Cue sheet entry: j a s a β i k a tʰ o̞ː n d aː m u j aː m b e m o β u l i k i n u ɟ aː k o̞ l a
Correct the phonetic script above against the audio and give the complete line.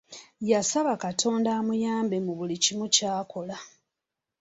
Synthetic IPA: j a s a β a k a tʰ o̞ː n d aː m u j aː m b e m u β u l i c i m u c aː k o̞ l a